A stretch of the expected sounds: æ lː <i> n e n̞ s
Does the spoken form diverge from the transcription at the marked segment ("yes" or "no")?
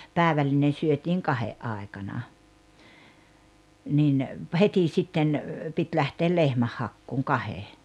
no